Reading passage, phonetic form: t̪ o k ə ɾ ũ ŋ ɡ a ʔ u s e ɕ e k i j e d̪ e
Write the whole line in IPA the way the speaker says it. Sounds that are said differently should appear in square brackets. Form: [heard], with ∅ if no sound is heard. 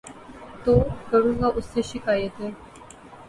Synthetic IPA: t̪ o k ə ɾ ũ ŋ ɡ a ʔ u s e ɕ [i] k [a] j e [t̪] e